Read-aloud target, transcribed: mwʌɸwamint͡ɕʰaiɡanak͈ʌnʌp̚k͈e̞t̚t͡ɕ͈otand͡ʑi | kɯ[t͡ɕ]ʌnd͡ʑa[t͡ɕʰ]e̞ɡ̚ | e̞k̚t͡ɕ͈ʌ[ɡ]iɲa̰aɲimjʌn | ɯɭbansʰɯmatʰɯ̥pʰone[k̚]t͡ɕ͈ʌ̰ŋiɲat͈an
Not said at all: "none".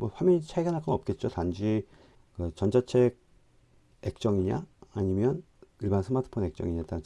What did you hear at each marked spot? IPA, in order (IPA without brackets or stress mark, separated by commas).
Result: t͡ɕ, t͡ɕʰ, ŋ, k̚